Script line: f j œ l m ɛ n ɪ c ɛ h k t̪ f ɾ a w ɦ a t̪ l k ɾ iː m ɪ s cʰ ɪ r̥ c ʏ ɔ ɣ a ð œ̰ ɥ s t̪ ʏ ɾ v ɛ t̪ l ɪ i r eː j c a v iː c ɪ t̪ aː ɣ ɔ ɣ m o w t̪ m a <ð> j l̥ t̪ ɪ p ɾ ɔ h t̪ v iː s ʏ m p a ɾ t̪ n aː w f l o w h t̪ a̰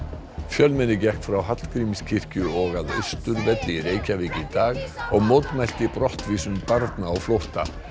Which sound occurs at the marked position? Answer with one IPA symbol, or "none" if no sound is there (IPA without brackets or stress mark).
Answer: none